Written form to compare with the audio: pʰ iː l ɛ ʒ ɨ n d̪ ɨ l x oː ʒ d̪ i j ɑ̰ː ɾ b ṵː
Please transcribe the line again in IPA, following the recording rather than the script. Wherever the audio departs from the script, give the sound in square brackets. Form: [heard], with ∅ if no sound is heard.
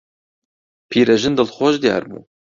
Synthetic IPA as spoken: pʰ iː [ɾ] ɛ ʒ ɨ n d̪ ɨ l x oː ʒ d̪ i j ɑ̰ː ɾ b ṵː